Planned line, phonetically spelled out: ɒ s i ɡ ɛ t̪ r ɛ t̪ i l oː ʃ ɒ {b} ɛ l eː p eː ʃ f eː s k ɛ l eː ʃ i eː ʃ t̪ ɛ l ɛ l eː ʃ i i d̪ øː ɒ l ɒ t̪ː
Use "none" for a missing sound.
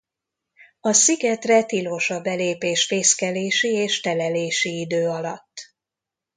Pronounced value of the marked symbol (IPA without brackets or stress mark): b